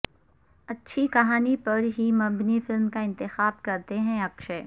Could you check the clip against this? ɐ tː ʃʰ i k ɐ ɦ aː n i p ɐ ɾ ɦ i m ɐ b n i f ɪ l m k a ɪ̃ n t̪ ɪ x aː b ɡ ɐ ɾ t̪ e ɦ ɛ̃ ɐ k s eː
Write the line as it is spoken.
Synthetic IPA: ɐ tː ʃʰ i k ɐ ɦ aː n i p ɐ ɾ ɦ i m ɐ b n i f ɪ l m k a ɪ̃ n t̪ ɪ x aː b k ɐ ɾ t̪ e ɦ ɛ̃ ɐ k ʃ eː